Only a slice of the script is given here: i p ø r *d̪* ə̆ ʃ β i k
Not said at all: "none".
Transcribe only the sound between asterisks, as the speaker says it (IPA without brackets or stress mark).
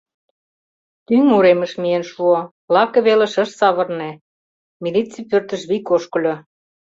t̪